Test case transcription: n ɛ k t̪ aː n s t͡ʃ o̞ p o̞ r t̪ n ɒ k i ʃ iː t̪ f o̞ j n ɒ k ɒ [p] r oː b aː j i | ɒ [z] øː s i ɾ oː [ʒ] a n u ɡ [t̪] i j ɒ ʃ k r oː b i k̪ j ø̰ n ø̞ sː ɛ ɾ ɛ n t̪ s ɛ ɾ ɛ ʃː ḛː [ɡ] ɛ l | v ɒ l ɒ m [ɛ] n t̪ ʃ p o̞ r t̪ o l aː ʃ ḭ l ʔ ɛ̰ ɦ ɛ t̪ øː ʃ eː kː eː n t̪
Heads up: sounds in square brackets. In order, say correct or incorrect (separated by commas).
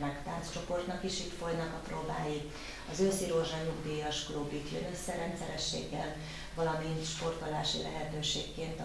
correct, correct, correct, incorrect, incorrect, incorrect